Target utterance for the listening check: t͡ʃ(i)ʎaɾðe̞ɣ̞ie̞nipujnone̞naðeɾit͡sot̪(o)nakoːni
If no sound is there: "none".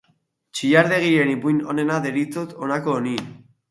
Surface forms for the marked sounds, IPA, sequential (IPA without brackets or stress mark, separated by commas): i, o